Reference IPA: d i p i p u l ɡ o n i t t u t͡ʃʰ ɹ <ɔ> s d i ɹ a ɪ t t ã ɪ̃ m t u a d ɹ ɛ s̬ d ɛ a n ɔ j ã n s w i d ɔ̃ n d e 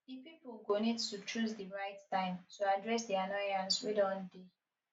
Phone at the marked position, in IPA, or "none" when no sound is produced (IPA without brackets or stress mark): u